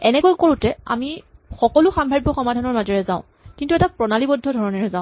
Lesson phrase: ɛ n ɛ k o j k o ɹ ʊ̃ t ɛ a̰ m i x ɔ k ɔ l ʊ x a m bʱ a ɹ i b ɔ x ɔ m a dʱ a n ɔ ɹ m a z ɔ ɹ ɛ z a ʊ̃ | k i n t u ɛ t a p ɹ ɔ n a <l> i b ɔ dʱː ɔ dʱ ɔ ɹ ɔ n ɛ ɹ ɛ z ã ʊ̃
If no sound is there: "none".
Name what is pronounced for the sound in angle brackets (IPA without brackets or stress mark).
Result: l